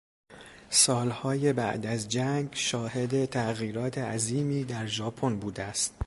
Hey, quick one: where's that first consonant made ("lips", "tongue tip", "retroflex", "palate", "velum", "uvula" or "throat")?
tongue tip